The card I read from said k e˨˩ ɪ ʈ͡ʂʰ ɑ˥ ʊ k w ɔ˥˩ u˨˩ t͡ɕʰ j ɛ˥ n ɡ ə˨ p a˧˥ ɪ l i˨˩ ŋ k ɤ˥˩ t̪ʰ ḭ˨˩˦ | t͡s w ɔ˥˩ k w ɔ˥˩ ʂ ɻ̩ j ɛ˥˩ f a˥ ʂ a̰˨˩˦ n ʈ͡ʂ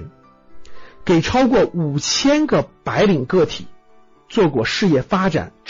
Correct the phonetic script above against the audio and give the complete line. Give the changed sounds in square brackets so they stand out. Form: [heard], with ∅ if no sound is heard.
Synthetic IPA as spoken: k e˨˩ ɪ ʈ͡ʂʰ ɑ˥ ʊ k w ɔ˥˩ u˨˩ t͡ɕʰ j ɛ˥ n ɡ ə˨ p a˧˥ ɪ l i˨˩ ŋ k ɤ˥˩ t̪ʰ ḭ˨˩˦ | t͡s w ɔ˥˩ k w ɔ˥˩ ʂ ɻ̩ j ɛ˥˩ f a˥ [ʈ͡ʂ] a̰˨˩˦ n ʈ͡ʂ